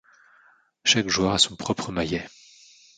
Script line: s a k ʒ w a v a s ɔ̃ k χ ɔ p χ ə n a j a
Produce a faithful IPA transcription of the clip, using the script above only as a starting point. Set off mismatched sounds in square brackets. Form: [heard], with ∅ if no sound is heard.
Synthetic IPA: [ʃ] a k ʒ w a [ʁ] a s ɔ̃ [p] χ ɔ p χ ə [m] a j [ɛ]